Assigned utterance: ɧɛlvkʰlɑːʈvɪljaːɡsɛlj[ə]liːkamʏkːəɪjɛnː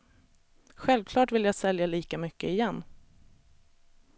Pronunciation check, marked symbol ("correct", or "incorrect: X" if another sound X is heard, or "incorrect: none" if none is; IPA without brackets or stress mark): incorrect: a